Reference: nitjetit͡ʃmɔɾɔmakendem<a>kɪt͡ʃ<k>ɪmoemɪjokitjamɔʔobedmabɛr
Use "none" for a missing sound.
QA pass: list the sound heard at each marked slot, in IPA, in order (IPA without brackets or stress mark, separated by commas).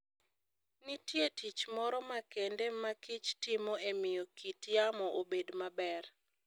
a, t